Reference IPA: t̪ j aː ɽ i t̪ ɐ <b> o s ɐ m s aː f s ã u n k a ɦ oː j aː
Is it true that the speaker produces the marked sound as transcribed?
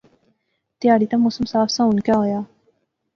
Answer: no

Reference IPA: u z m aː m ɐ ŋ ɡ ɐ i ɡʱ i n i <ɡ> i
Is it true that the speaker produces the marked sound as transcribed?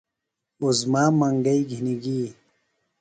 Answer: yes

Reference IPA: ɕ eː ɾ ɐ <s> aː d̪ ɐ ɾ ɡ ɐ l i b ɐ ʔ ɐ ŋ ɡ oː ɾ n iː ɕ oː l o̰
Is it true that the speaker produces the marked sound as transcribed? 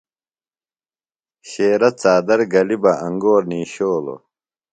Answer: no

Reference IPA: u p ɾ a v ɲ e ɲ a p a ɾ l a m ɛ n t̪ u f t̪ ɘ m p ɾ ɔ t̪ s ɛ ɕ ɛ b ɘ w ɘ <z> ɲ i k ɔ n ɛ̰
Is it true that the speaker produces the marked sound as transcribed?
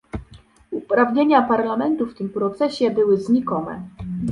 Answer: yes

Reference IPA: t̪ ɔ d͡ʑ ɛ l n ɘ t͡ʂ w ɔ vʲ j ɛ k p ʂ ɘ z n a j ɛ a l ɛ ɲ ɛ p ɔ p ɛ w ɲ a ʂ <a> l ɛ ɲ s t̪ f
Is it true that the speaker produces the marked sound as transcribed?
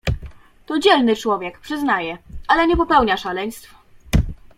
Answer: yes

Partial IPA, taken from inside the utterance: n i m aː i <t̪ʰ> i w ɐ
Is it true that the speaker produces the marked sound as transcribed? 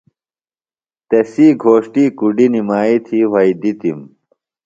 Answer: yes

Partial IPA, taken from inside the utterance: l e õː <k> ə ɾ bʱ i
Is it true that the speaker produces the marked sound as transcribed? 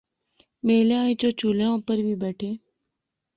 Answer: no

